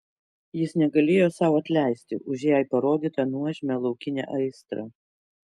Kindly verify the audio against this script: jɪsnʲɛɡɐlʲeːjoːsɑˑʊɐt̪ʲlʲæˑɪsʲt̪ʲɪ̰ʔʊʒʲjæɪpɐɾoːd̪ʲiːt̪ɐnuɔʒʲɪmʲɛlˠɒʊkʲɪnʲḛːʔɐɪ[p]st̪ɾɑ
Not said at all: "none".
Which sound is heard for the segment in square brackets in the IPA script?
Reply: none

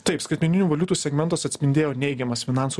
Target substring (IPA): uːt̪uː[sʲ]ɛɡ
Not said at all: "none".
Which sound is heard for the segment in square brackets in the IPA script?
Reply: sʲ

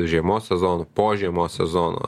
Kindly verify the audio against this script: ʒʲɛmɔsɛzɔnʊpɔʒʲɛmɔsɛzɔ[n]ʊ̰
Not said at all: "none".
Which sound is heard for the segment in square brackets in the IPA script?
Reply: n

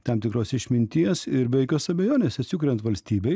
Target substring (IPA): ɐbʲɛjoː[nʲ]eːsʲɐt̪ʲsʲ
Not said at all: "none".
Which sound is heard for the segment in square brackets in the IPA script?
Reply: nʲ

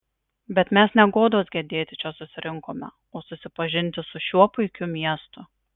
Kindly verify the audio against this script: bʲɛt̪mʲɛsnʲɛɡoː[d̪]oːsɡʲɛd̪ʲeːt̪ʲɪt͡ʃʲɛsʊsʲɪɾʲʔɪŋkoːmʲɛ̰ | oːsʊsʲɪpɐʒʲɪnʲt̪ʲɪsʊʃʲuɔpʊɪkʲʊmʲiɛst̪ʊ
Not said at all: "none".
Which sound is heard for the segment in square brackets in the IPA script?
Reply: d̪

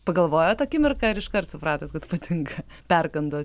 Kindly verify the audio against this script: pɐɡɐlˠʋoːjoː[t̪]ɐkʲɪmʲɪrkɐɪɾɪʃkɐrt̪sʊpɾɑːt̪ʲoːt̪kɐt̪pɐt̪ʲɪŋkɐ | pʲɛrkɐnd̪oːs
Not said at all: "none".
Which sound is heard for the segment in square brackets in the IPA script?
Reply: t̪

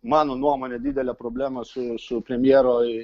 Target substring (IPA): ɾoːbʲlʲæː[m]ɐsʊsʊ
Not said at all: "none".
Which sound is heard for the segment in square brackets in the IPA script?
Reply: m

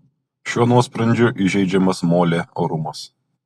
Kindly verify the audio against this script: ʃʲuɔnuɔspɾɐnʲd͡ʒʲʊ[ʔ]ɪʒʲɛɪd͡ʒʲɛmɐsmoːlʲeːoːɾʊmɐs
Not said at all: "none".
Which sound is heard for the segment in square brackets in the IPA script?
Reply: ʔ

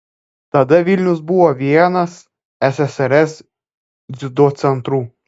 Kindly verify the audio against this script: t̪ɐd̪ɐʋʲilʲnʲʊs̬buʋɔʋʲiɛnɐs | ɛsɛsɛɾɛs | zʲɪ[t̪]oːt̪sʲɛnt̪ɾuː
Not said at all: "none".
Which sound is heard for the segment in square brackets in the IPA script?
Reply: d̪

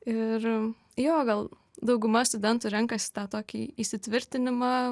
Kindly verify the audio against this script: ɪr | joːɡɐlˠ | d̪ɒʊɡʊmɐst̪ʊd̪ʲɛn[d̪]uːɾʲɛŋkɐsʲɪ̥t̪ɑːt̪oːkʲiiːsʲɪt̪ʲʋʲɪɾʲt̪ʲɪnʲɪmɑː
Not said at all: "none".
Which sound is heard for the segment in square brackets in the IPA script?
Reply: t̪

